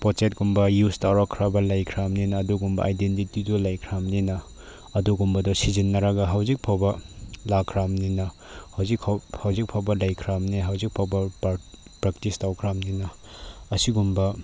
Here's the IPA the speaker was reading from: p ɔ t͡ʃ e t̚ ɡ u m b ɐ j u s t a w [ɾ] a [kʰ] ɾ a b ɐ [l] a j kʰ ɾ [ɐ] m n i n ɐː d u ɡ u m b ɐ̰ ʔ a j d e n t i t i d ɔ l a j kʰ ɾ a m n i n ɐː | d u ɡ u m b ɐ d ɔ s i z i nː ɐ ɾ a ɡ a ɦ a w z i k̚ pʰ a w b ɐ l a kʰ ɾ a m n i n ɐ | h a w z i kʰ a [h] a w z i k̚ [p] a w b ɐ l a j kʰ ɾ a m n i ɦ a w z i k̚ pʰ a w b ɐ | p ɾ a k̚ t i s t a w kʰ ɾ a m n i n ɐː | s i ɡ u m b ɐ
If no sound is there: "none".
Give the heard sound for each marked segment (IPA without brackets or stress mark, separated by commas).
ɾ, kʰ, l, a, h, pʰ